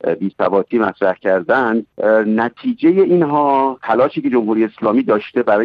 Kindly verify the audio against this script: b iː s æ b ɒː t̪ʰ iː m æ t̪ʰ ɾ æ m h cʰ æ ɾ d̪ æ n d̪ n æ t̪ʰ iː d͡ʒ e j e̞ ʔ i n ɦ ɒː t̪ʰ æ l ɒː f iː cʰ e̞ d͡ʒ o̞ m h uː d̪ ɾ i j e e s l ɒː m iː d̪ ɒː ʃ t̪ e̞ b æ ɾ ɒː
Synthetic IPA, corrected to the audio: b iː s æ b ɒː t̪ʰ iː m æ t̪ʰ ɾ æ h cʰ æ ɾ d̪ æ n d̪ n æ t̪ʰ iː d͡ʒ e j e̞ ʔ i n ɦ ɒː t̪ʰ æ l ɒː ʃ iː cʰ e̞ d͡ʒ o̞ m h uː ɾ i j e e s l ɒː m iː d̪ ɒː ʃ t̪ e̞ b æ ɾ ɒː